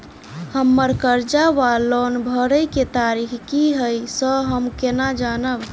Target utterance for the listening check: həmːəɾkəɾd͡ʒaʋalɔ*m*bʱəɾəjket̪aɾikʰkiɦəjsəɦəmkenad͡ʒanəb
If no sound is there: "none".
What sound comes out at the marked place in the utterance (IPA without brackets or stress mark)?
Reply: n